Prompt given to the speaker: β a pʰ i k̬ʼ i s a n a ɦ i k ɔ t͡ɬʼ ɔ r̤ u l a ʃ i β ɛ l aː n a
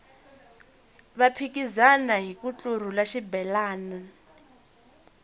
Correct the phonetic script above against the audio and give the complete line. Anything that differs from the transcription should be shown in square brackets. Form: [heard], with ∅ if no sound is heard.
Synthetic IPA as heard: β a pʰ i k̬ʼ i [z] a n a ɦ i k [u] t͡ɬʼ [u] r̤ u l a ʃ i [b] ɛ l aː n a